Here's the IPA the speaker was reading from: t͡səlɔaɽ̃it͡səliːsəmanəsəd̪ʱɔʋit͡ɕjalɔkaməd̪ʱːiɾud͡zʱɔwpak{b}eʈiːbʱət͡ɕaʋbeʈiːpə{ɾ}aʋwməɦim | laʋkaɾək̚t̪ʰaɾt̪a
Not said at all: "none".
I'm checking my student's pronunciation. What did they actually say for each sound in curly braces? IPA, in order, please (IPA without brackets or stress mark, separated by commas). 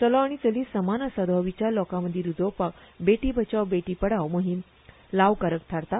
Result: b, ɽ